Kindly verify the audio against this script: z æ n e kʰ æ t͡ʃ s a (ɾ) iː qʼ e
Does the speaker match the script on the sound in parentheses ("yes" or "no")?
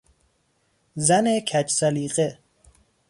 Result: no